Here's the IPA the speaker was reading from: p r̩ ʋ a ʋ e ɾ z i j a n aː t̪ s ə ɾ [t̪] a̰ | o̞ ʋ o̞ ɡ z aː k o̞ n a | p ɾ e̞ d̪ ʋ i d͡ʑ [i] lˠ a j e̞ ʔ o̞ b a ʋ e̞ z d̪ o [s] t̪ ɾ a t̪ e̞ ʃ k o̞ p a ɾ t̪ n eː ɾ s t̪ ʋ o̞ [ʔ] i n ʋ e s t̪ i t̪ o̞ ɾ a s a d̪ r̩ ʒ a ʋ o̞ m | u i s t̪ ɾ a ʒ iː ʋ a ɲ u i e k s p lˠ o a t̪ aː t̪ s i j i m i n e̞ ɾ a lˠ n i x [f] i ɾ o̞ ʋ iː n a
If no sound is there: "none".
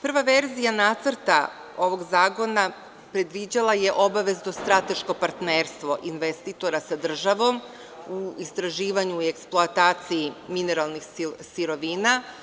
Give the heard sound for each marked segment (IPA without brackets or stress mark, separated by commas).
t̪, a, s, ʔ, s